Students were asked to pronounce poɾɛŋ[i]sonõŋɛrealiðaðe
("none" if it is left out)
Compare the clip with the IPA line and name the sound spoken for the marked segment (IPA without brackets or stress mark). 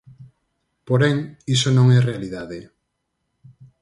i